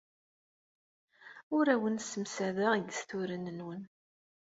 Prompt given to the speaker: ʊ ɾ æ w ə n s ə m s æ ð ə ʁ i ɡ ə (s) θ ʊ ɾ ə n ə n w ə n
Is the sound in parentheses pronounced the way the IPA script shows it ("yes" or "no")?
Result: yes